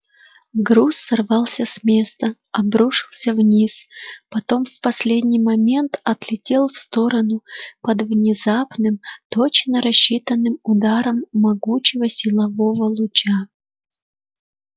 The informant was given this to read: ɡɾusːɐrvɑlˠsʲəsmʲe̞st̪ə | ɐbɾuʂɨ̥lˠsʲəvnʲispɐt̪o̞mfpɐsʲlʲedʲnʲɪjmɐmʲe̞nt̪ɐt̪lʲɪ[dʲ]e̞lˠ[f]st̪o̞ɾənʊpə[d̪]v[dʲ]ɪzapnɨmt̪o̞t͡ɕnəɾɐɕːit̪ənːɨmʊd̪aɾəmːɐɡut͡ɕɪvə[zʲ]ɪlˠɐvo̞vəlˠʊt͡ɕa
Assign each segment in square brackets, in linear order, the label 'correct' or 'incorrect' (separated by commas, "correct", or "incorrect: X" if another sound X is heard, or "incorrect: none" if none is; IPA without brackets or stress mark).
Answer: incorrect: tʲ, correct, correct, incorrect: nʲ, incorrect: sʲ